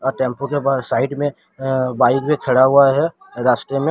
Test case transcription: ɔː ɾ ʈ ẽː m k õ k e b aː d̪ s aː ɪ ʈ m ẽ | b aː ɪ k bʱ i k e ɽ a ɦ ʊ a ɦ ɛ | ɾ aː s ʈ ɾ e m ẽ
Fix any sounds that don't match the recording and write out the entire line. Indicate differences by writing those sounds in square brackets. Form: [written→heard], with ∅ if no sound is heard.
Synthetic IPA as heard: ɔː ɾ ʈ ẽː m [k→p] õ k e b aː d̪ s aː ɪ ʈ m ẽ | b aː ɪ k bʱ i [k→kʰ] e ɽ a ɦ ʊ a ɦ ɛ | ɾ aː s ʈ ɾ e m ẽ

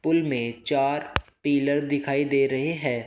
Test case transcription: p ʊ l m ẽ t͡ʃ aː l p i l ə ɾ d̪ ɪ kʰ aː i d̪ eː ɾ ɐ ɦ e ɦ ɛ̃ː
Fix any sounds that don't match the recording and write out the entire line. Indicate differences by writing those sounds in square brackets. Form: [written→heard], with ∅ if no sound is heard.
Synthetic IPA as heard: p ʊ l m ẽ t͡ʃ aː [l→ɾ] p [i→iː] l ə ɾ d̪ ɪ kʰ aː i d̪ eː ɾ ɐ ɦ e ɦ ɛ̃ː

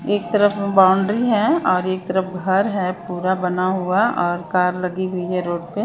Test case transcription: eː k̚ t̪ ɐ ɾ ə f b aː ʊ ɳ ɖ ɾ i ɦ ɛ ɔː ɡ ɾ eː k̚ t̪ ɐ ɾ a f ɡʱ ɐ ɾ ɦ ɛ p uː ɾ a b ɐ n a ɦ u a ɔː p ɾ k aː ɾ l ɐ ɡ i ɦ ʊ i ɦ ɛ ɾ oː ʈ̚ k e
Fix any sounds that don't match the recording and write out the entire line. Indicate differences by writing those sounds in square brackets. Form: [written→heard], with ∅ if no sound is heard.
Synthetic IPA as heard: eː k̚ t̪ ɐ ɾ ə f b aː ʊ ɳ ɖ ɾ i ɦ ɛ ɔː [ɡ→∅] ɾ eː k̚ t̪ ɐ ɾ [a→ə] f ɡʱ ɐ ɾ ɦ ɛ p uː ɾ a b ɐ n a ɦ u a ɔː [p→∅] ɾ k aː ɾ l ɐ ɡ i ɦ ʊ i ɦ ɛ ɾ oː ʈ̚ [k→p] e

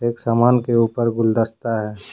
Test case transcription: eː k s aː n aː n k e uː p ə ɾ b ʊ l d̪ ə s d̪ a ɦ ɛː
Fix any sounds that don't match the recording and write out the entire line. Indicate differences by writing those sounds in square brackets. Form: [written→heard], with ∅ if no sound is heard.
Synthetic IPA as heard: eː k s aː [n→m] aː n k e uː p ə ɾ [b→ɡ] ʊ l d̪ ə s [d̪→t̪] a ɦ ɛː

